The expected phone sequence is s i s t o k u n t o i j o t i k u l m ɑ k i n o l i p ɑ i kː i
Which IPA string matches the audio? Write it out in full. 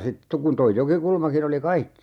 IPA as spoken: s i t t o k u n t o i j o k i k u l m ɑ k i n o l i k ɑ i kː i